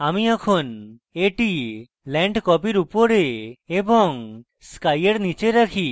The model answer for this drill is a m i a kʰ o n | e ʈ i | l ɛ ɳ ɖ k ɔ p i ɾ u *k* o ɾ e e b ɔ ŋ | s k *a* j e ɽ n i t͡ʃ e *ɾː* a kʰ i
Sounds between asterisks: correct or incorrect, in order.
incorrect: p, correct, incorrect: ɾ

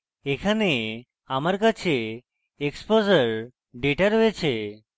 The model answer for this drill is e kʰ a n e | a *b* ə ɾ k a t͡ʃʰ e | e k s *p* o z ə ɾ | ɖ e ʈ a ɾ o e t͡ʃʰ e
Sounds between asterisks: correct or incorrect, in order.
incorrect: m, correct

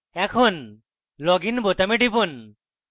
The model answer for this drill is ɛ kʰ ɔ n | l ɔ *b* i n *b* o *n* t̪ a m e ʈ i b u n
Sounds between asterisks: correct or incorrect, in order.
incorrect: ɡ, correct, incorrect: none

